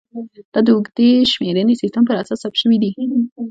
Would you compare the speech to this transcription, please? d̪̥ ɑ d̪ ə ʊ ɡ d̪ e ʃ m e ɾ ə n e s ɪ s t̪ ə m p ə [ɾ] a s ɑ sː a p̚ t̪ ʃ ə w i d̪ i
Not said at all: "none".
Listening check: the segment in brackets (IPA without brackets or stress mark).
ɾ